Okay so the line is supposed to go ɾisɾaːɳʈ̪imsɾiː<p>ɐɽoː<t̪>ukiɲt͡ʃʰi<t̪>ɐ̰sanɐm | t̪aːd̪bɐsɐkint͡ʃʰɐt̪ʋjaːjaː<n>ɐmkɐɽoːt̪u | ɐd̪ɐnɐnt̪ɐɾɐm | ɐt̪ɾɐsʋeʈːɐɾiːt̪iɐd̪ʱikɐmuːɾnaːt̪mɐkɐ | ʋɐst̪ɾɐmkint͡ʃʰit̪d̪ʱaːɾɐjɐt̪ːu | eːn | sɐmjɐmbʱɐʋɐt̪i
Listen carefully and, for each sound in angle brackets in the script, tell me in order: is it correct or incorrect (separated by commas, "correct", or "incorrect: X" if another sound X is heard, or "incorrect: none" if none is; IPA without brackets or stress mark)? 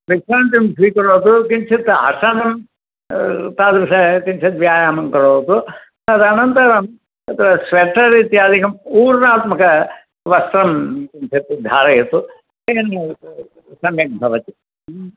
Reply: incorrect: k, correct, correct, incorrect: m